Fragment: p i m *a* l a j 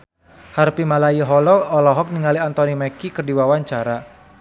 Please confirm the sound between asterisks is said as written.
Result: yes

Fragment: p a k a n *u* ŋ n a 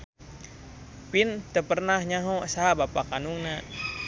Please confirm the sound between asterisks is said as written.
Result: yes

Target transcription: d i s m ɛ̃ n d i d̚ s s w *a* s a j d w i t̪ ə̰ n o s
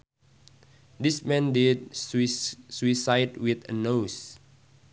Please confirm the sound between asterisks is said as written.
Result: no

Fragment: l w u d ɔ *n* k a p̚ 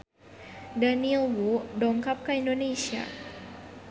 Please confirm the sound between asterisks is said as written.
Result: no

